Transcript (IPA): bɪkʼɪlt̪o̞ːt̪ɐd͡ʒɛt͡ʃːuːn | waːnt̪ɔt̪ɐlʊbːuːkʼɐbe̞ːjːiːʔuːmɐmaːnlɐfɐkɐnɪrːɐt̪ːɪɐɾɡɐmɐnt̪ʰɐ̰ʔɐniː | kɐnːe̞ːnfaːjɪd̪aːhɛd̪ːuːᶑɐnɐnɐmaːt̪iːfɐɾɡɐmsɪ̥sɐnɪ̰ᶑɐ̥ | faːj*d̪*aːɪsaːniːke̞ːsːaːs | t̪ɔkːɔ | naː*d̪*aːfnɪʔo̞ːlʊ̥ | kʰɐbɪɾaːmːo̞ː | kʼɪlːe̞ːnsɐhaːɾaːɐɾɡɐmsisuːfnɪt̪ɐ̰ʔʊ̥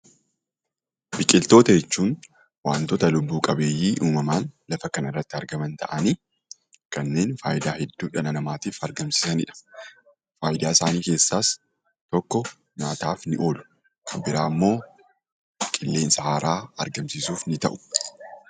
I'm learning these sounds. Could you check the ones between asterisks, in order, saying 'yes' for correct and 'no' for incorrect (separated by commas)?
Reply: yes, no